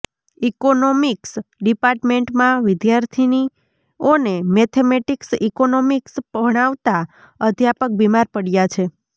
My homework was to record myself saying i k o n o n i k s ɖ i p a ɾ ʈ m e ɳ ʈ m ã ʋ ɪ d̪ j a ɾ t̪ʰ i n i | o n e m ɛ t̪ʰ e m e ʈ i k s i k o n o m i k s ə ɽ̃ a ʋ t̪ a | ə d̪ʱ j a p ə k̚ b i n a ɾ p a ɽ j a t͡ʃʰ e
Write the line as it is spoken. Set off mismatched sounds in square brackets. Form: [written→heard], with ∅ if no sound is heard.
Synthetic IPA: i k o n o [n→m] i k s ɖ i p a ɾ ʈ m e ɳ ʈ m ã ʋ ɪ d̪ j a ɾ t̪ʰ i n i | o n e m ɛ t̪ʰ e m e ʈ i k s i k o n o m i k s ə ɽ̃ a ʋ t̪ a | ə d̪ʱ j a p ə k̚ b i [n→m] a ɾ p [a→ə] ɽ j a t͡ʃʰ e

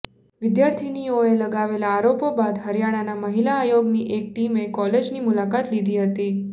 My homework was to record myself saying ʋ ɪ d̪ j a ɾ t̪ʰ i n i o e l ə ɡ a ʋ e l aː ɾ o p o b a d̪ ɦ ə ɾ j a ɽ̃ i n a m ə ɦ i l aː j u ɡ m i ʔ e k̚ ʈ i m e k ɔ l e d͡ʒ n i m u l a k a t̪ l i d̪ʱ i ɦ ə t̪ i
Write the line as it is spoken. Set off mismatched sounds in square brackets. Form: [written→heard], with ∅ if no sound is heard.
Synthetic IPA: ʋ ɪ d̪ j a ɾ t̪ʰ i n i o e l ə ɡ a ʋ e l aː ɾ o p o b a d̪ ɦ ə ɾ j a ɽ̃ [i→a] n a m ə ɦ i l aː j [u→o] ɡ [m→n] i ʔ e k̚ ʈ i m e k ɔ l e d͡ʒ n i m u l a k a t̪ l i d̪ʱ i ɦ ə t̪ i

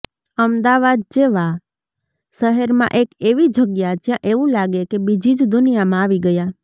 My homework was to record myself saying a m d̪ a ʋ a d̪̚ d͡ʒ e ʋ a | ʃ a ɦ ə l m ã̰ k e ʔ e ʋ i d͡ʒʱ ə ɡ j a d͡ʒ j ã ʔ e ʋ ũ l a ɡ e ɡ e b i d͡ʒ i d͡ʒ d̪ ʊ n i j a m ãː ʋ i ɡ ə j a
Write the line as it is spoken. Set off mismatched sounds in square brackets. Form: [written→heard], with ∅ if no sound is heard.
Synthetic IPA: [a→ə] m d̪ a ʋ a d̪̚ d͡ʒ e ʋ a | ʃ [a→ə] ɦ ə [l→ɾ] m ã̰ [k→ʔ] e [ʔ→k] e ʋ i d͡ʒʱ ə ɡ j a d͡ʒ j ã ʔ e ʋ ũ l a ɡ e [ɡ→k] e b i d͡ʒ i d͡ʒ d̪ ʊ n i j a m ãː ʋ i ɡ ə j a

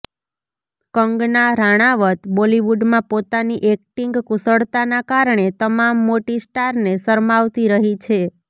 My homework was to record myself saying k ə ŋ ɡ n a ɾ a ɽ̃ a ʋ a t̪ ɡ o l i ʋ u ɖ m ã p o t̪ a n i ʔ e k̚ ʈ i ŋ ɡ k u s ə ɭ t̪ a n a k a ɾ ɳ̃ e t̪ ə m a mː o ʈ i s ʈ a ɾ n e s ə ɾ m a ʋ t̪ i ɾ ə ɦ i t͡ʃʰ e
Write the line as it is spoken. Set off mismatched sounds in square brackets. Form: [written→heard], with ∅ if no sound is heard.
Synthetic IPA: k ə ŋ ɡ n a ɾ a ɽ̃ a ʋ [a→ə] t̪ [ɡ→b] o l i ʋ u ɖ m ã p o t̪ a n i ʔ e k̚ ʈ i ŋ ɡ k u s ə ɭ t̪ a n a k a ɾ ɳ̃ e t̪ ə m a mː o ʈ i s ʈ a ɾ n e s ə ɾ m a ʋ t̪ i ɾ ə ɦ i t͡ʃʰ e

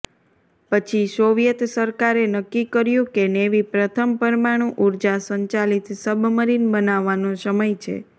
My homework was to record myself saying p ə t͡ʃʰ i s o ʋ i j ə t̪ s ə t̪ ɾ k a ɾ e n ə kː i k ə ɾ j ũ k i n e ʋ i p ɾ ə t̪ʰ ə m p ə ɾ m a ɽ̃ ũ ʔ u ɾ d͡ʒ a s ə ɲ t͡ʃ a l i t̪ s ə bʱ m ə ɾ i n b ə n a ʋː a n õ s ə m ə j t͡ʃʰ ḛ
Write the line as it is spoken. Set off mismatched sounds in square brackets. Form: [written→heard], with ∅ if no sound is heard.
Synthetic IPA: p ə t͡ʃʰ i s o ʋ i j ə t̪ s ə [t̪→∅] ɾ k a ɾ e n ə kː i k ə ɾ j ũ k [i→e] n e ʋ i p ɾ ə t̪ʰ ə m p ə ɾ m a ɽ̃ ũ ʔ u ɾ d͡ʒ a s ə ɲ t͡ʃ a l i t̪ s ə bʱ m ə ɾ i n b ə n a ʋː a n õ s ə m ə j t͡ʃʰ ḛ

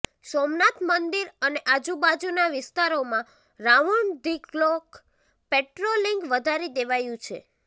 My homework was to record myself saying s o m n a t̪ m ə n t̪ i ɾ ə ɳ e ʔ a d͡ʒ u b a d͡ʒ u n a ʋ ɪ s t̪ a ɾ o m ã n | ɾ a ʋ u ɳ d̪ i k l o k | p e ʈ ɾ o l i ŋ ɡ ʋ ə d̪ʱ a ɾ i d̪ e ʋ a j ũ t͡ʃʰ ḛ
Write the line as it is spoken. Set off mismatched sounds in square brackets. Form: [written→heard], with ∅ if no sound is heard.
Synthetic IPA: s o m n a t̪ m ə n [t̪→d̪] i ɾ ə [ɳ→n] e ʔ a d͡ʒ u b a d͡ʒ u n a ʋ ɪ s t̪ a ɾ o m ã [n→∅] | ɾ a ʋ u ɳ d̪ i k l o k | p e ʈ ɾ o l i ŋ ɡ ʋ ə d̪ʱ a ɾ i d̪ e ʋ a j ũ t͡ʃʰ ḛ

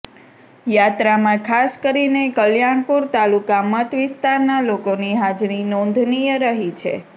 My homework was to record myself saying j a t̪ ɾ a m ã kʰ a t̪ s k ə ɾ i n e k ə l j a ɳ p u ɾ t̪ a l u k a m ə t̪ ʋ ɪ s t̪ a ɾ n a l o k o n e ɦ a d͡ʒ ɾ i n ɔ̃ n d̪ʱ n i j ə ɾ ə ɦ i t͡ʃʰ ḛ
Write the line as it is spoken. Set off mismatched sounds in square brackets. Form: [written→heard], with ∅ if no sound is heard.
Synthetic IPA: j a t̪ ɾ a m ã kʰ a [t̪→∅] s k ə ɾ i n e k ə l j a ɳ p u ɾ t̪ a l u k a m ə t̪ ʋ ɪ s t̪ a ɾ n a l o k o n [e→i] ɦ a d͡ʒ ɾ i n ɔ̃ n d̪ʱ n i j ə ɾ ə ɦ i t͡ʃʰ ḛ

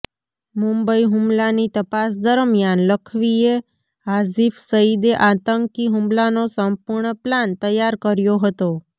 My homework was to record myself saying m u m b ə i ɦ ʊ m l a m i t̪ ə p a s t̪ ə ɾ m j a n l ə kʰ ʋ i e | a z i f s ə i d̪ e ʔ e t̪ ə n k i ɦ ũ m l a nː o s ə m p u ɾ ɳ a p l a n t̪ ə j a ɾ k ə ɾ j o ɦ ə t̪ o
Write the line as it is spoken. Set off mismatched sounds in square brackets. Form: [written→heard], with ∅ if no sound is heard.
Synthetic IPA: m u m b ə i ɦ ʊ m l a [m→n] i t̪ ə p a s [t̪→d̪] ə ɾ m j a n l ə kʰ ʋ i e | a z i f s ə i d̪ e ʔ [e→a] t̪ ə [n→ŋ] k i ɦ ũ m l a [nː→n] o s ə m p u ɾ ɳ [a→ə] p l a n t̪ ə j a ɾ k ə ɾ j o ɦ ə t̪ o

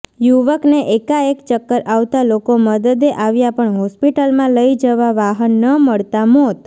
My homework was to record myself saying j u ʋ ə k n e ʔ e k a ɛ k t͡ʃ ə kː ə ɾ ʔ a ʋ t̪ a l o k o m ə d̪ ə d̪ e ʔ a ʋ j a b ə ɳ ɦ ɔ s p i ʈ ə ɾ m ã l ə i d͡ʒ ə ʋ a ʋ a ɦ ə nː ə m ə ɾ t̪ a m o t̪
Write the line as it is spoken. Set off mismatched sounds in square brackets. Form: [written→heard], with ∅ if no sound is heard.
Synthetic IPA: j u ʋ ə k n e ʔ e k a [ɛ→e] k t͡ʃ ə kː ə ɾ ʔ a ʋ t̪ a l o k o m ə d̪ ə d̪ e ʔ a ʋ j a [b→p] ə ɳ ɦ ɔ s p i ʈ ə [ɾ→l] m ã l ə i d͡ʒ ə ʋ a ʋ a ɦ ə nː ə m ə [ɾ→ɭ] t̪ a m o t̪

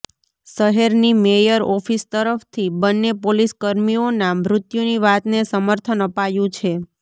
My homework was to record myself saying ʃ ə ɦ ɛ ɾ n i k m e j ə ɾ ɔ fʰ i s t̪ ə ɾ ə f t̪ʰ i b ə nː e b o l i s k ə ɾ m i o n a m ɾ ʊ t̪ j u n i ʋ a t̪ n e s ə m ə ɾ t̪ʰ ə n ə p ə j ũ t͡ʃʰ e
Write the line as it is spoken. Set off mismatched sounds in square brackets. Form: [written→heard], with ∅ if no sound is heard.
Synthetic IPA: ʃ ə ɦ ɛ ɾ n i [k→∅] m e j ə ɾ ɔ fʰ i s t̪ ə ɾ ə f t̪ʰ i b ə nː e [b→p] o l i s k ə ɾ m i o n a m ɾ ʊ t̪ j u n i ʋ a t̪ n e s ə m ə ɾ t̪ʰ ə n ə p [ə→a] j ũ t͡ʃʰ e

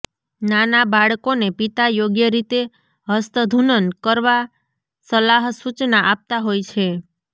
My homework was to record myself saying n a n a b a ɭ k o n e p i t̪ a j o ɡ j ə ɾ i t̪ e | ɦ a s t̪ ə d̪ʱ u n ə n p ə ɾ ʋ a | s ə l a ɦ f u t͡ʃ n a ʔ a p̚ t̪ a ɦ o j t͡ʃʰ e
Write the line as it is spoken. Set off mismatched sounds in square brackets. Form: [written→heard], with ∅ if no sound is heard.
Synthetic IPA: n a n a b a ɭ k o n e p i t̪ a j o ɡ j ə ɾ i t̪ e | ɦ [a→ə] s t̪ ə d̪ʱ u n ə n [p→k] ə ɾ ʋ a | s ə l a ɦ [f→s] u t͡ʃ n a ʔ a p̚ t̪ a ɦ o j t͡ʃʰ e

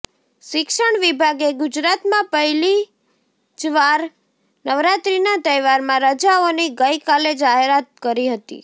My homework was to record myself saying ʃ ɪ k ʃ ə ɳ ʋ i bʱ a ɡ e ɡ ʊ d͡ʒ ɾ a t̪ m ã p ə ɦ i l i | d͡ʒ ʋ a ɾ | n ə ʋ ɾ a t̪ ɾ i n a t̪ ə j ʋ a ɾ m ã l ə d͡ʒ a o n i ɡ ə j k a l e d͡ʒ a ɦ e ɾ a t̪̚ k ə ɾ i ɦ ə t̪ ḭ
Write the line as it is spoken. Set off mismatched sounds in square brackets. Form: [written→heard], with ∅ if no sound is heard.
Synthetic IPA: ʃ ɪ k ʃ ə ɳ ʋ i bʱ a ɡ e ɡ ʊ d͡ʒ ɾ a t̪ m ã p ə ɦ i l i | d͡ʒ ʋ a ɾ | n ə ʋ ɾ a t̪ ɾ i n a t̪ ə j ʋ a ɾ m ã [l→ɾ] ə d͡ʒ a o n i ɡ ə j k a l e d͡ʒ a ɦ e ɾ a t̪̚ k ə ɾ i ɦ ə t̪ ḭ

